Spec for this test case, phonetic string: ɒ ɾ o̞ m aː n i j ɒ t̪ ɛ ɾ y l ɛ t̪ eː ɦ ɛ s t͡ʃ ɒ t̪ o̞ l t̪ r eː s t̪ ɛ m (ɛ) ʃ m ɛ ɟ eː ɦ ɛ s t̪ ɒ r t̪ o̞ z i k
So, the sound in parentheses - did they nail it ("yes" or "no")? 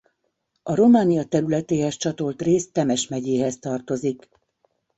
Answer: yes